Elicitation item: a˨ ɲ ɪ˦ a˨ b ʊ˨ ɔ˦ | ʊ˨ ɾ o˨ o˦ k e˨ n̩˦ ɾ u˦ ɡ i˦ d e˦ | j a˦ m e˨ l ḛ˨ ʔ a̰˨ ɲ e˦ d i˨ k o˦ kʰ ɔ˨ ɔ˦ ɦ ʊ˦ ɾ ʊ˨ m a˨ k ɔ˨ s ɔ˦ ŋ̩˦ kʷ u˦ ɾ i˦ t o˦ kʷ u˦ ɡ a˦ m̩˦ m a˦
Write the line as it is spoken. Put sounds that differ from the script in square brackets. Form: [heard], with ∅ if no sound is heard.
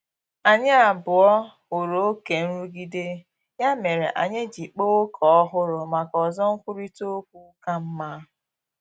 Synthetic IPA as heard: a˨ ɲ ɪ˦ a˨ b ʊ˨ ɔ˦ | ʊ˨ ɾ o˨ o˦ k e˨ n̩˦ ɾ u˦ ɡ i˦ d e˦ | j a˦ m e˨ [ɾ] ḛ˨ ʔ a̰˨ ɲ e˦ [d͡ʒ] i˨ [k͡p] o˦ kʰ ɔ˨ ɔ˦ ɦ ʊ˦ ɾ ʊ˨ m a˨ k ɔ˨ [z] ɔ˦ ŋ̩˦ kʷ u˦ ɾ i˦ t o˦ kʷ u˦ [k] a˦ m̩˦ m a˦